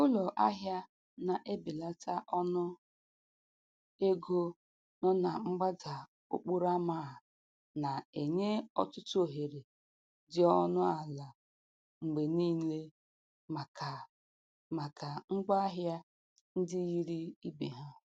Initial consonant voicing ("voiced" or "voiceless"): voiced